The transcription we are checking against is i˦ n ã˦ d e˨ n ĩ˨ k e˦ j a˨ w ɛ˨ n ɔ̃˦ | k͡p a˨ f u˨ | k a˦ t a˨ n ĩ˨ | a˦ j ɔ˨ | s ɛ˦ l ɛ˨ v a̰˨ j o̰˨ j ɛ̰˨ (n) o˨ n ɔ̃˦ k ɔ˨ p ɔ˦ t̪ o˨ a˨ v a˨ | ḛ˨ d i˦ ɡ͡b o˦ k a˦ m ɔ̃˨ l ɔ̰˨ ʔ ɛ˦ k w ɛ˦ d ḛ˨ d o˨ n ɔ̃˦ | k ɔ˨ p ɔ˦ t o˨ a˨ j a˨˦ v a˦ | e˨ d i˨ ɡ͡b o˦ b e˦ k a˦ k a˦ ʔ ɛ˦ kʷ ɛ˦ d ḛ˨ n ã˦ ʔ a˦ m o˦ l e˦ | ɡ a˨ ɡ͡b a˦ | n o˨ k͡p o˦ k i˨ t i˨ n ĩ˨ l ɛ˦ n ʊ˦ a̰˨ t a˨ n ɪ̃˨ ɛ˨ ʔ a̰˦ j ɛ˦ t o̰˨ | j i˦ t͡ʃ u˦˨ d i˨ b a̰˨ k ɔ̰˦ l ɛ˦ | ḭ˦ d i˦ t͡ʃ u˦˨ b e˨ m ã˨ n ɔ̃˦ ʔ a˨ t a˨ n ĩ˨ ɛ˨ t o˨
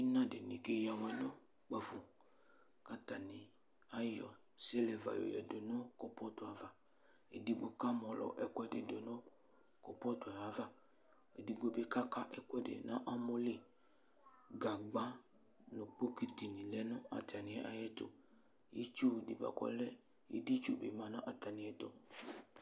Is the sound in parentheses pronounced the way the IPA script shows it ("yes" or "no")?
no